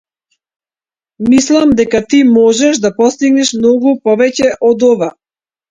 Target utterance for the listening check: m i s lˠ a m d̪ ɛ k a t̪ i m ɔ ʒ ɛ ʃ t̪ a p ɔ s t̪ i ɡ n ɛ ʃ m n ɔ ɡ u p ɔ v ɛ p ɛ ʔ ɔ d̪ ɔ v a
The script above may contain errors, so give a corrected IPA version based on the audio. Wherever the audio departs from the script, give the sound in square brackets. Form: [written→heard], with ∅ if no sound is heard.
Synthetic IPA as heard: m i s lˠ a m d̪ ɛ k a t̪ i m ɔ ʒ ɛ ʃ [t̪→d̪] a p ɔ s t̪ i ɡ n ɛ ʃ m n ɔ ɡ u p ɔ v ɛ [p→c] ɛ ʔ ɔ d̪ ɔ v a